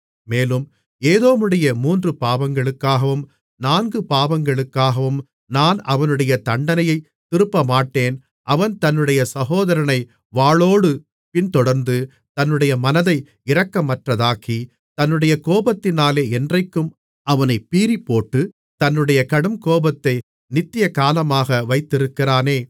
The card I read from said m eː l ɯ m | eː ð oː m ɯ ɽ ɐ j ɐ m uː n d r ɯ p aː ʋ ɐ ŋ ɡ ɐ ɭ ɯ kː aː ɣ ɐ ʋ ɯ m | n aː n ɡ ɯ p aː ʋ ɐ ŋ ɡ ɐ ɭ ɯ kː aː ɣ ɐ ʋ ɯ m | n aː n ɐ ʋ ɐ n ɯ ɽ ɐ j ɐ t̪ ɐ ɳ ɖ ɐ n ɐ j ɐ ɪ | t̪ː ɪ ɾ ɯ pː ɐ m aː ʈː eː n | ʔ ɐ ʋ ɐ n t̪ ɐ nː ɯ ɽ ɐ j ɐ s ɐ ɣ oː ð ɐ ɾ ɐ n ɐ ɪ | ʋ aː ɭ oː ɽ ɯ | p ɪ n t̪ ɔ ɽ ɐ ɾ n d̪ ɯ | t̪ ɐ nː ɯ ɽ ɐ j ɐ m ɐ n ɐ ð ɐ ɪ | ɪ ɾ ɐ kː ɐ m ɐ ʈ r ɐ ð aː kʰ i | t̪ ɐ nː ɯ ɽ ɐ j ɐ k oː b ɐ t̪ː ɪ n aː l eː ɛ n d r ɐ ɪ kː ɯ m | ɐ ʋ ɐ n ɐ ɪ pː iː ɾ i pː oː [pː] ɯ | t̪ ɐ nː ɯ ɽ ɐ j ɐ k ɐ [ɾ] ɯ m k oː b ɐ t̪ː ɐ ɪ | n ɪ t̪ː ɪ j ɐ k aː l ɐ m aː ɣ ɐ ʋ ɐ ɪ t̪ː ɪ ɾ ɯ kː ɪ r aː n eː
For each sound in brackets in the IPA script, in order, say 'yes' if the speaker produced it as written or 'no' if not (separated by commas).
no, no